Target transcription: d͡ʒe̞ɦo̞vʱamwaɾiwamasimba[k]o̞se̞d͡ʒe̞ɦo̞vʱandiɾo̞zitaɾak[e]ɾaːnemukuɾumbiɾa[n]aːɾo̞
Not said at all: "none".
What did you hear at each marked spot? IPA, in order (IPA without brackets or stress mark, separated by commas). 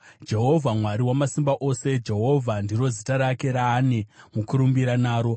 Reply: ʔ, e, n